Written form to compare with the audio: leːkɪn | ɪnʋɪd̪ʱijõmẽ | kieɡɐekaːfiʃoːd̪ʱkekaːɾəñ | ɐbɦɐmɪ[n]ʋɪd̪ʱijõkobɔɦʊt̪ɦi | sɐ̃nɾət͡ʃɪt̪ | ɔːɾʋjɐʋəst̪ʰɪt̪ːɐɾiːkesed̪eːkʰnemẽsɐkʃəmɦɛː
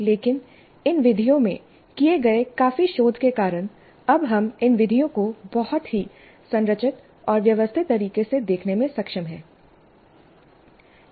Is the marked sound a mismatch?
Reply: no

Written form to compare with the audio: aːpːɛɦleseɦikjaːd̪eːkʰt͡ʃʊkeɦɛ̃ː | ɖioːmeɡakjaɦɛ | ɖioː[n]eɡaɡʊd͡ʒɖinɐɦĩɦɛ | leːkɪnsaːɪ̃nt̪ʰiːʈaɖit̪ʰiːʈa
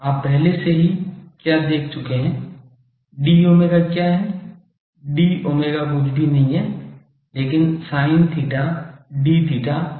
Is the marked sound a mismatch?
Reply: yes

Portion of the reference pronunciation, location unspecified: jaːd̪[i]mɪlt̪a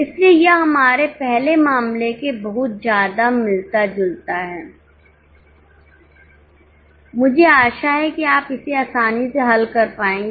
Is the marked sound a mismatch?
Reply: yes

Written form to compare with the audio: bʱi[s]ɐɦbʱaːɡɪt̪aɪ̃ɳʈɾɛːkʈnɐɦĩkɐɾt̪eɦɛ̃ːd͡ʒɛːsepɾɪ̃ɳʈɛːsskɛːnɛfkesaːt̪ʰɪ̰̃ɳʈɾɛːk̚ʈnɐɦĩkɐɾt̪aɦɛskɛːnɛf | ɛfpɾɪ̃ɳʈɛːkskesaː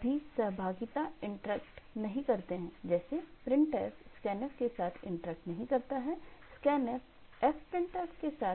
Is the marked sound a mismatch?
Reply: no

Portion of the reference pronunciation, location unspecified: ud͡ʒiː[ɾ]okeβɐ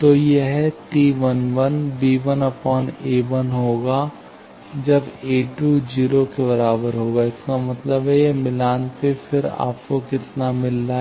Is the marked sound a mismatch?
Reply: no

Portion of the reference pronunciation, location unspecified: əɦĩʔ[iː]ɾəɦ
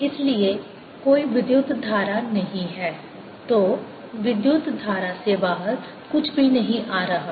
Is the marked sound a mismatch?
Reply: yes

